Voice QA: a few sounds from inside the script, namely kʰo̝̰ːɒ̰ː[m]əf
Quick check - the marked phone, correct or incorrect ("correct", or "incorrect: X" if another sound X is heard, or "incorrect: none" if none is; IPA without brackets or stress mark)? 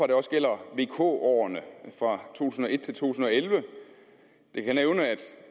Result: incorrect: n